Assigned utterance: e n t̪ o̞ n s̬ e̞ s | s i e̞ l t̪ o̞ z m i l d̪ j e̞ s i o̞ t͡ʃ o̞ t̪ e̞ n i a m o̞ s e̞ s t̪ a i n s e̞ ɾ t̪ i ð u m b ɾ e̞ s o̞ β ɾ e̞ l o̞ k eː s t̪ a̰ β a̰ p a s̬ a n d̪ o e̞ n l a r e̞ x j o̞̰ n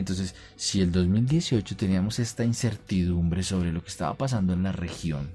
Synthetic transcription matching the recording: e n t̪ o̞ n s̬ e̞ s | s i e̞ l d̪ o̞ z m i l d̪ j e̞ s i o̞ t͡ʃ o̞ t̪ e̞ n i a m o̞ s e̞ s t̪ a i n s e̞ ɾ t̪ i ð u m b ɾ e̞ s o̞ β ɾ e̞ l o̞ k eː s t̪ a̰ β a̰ p a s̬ a n d̪ o e̞ n l a r e̞ x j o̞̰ n